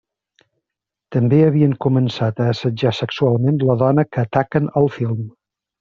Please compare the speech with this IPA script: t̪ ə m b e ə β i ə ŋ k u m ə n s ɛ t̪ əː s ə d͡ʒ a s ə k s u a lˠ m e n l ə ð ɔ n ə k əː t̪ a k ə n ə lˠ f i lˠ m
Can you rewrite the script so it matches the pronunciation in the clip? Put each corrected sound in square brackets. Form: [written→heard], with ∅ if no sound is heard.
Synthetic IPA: t̪ ə m b e ə β i ə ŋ k u m ə n s [ɛ→a] t̪ əː s ə d͡ʒ a s ə k s u a lˠ m e n l ə ð ɔ n ə k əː t̪ a k ə n ə lˠ f i lˠ m